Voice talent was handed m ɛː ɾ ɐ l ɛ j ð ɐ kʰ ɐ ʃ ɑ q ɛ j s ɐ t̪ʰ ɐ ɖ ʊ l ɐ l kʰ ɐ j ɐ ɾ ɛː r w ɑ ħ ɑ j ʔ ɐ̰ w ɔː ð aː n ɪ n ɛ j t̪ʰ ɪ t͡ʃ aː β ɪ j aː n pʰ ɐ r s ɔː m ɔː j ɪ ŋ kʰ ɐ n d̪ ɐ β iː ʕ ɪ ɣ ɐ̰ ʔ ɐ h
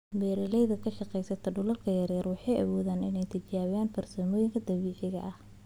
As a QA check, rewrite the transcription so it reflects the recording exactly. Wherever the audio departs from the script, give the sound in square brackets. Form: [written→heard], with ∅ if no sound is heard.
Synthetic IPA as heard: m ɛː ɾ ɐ l ɛ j ð ɐ kʰ ɐ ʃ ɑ q ɛ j s ɐ t̪ʰ ɐ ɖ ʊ l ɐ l kʰ ɐ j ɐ ɾ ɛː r w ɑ ħ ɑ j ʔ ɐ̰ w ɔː ð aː n ɪ n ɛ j t̪ʰ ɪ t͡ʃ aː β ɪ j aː n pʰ ɐ r s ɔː m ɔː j ɪ ŋ kʰ ɐ [n→∅] d̪ ɐ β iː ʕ ɪ ɣ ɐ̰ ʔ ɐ h